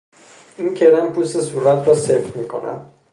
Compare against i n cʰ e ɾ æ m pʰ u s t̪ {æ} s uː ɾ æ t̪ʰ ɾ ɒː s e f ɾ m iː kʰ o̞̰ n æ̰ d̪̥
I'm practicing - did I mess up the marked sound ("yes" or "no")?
yes